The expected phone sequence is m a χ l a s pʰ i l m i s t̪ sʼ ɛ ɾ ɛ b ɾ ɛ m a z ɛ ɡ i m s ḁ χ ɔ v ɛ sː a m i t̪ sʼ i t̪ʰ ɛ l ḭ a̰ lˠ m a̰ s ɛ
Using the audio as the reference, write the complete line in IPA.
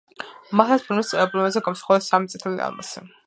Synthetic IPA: m a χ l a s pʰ i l m i s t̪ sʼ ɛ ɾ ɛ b l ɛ m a z ɛ ɡ a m s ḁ χ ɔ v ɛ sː a m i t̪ sʼ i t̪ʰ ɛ l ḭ a̰ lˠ m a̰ s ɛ